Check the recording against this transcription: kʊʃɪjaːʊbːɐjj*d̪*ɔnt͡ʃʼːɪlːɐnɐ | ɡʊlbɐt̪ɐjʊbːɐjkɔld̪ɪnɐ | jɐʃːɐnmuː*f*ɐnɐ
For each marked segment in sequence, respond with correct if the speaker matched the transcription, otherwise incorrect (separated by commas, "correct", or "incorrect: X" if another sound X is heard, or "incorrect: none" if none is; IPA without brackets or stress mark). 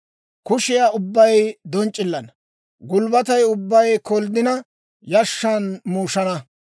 correct, incorrect: ʃ